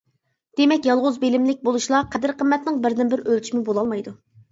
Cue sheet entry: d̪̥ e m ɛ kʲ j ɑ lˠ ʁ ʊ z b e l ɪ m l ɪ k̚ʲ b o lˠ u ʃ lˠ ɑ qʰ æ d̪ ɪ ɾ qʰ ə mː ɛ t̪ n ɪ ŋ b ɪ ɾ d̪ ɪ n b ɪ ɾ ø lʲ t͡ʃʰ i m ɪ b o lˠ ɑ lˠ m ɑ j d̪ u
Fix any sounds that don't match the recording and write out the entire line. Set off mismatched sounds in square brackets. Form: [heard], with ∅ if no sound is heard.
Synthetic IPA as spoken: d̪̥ e m ɛ kʲ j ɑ lˠ ʁ ʊ z b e l ɪ m l ɪ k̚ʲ b o lˠ u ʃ lˠ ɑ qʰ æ d̪ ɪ ɾ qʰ ə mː ɛ t̪ n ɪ ŋ b ɪ ɾ d̪ ɪ n b ɪ ɾ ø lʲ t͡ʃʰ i m ɪ b o lˠ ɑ lˠ m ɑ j d̪ u